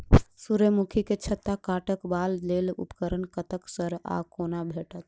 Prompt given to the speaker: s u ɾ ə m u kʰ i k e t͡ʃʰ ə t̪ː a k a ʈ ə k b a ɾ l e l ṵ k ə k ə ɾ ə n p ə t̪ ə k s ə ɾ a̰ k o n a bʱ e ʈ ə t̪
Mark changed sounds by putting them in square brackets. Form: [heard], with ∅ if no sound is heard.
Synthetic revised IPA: s u ɾ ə m u kʰ i k e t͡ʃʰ ə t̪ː a k a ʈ ə k b a [l] l e l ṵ [p] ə k ə ɾ ə n [k] ə t̪ ə k s ə ɾ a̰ k o n a bʱ e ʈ ə t̪

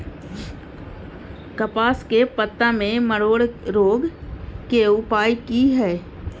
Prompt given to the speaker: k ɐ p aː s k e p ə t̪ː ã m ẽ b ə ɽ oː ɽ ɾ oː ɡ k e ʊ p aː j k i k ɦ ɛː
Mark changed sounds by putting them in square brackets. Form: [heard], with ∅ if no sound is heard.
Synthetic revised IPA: k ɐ p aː s k e p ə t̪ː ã m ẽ [m] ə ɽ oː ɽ ɾ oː ɡ k e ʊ p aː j k i [∅] ɦ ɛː

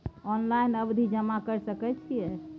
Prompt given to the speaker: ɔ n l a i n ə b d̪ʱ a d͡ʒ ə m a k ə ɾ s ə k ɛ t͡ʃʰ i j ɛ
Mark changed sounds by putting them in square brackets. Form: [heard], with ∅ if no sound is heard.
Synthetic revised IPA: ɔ n l a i n ə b d̪ʱ [i] d͡ʒ ə m a k ə ɾ s ə k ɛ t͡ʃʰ i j ɛ

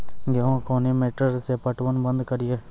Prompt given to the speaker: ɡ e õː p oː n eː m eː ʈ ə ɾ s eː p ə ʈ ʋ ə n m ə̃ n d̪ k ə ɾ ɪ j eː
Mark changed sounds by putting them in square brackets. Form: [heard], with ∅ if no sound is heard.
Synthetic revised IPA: ɡ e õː [k] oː n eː m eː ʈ ə ɾ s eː p ə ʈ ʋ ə n [b] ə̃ n d̪ k ə ɾ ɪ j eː

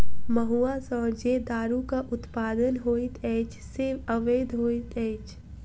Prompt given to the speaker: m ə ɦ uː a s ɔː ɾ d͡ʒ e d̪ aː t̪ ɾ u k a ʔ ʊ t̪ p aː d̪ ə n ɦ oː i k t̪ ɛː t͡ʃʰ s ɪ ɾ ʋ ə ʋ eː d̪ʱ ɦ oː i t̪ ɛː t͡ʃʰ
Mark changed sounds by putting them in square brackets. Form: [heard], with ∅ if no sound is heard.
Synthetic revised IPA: m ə ɦ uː a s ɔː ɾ d͡ʒ e d̪ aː [∅] ɾ u k a ʔ ʊ t̪ p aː d̪ ə n ɦ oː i [∅] t̪ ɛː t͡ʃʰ s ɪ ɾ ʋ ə ʋ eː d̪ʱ ɦ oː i t̪ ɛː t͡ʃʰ

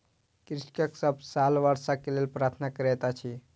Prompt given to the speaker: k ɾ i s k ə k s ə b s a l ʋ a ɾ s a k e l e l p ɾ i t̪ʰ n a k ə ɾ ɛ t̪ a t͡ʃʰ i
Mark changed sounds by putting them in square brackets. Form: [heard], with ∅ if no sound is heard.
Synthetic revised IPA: k ɾ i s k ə k s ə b s a l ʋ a ɾ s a k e l e l p ɾ [a] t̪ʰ n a k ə ɾ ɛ t̪ a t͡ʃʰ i

